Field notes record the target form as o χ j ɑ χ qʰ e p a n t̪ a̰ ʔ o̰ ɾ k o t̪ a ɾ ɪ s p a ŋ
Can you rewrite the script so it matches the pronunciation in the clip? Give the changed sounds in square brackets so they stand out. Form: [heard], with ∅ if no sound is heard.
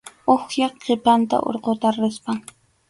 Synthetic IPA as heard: o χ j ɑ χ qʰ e p a n t̪ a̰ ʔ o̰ ɾ [q] o t̪ a ɾ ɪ s p a ŋ

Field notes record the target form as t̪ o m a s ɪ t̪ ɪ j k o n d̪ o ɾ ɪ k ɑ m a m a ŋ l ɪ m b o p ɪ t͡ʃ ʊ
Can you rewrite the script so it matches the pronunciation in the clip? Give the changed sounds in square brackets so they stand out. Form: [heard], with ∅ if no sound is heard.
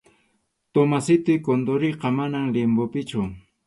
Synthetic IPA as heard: t̪ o m a s ɪ t̪ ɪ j k o n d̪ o ɾ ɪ [q] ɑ m a [n] a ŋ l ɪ m b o p ɪ t͡ʃ ʊ

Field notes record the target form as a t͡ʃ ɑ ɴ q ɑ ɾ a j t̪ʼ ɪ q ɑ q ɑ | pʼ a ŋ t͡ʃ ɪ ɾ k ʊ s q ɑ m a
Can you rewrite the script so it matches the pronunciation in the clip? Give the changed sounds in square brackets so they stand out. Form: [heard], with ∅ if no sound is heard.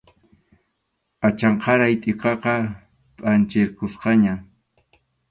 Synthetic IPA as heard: a t͡ʃ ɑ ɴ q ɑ ɾ a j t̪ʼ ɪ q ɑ q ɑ | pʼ a [n] t͡ʃ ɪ ɾ k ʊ s q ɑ [ɲ] a

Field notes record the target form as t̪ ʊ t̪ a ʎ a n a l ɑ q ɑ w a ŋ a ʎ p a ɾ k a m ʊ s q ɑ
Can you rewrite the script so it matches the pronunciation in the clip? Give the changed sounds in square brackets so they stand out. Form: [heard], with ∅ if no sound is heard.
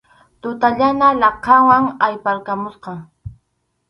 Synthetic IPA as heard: t̪ ʊ t̪ a ʎ a n a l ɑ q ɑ w a ŋ a [j] p a ɾ k a m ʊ s q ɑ

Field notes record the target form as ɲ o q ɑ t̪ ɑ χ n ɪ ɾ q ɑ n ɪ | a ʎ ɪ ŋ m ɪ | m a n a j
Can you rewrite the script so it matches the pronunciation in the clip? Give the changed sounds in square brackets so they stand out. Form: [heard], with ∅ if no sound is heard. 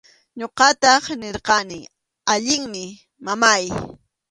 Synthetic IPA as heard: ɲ o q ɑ t̪ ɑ χ n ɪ ɾ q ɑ n ɪ | a ʎ ɪ ŋ m ɪ | m a [m] a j

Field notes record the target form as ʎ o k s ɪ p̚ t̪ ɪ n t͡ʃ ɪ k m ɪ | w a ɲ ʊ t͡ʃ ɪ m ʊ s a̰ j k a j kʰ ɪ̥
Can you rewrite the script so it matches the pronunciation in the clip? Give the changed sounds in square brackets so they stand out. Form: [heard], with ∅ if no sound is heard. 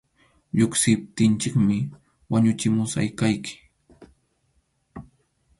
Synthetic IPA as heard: ʎ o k s ɪ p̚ t̪ ɪ n t͡ʃ ɪ k m ɪ | w a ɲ ʊ t͡ʃ ɪ m ʊ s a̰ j k a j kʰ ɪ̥

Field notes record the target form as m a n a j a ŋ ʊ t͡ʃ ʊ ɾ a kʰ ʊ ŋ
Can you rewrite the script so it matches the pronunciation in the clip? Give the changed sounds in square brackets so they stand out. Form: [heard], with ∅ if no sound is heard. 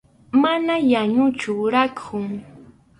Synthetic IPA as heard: m a n a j a [ɲ] ʊ t͡ʃ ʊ ɾ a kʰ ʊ ŋ

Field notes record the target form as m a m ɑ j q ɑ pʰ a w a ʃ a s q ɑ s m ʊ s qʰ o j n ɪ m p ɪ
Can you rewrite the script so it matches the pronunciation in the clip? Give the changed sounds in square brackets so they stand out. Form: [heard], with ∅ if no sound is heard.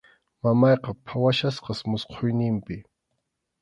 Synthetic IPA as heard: m a m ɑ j q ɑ pʰ a w a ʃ a s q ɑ s m ʊ s qʰ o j n ɪ m p ɪ

